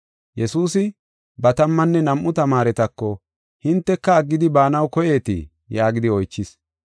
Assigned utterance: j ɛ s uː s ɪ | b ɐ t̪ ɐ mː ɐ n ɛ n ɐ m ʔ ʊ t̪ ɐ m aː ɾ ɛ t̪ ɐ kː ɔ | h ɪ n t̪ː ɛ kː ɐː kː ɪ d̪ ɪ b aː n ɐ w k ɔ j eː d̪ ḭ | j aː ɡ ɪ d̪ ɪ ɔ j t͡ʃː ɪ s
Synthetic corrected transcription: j ɛ s uː s ɪ | b ɐ t̪ ɐ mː ɐ nː ɛ n ɐ m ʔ ʊ t̪ ɐ m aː ɾ ɛ t̪ ɐ kː ɔ | h ɪ n t̪ː ɛ kː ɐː ɡː ɪ d̪ ɪ b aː n ɐ w k ɔ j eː t̪ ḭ | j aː ɡ ɪ d̪ ɪ ɔ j t͡ʃː ɪ s